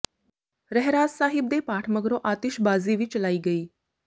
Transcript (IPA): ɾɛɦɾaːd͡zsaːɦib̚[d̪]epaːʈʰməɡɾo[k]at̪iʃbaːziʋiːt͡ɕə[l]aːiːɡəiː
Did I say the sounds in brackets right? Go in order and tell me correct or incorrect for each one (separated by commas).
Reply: correct, incorrect, correct